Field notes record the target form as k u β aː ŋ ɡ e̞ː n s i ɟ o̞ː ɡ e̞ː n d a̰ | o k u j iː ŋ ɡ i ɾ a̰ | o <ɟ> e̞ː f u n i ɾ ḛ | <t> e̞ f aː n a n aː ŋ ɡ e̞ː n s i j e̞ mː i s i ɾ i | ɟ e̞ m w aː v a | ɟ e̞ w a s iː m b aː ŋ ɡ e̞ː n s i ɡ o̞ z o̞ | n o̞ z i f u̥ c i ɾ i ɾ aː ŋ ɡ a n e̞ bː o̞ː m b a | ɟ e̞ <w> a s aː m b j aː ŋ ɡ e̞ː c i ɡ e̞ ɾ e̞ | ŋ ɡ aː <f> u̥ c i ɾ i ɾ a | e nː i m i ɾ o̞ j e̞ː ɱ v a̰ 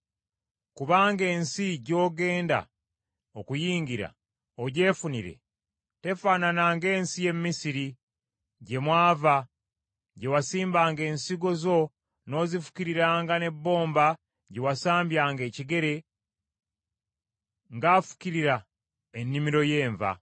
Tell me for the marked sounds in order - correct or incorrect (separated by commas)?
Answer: correct, correct, correct, correct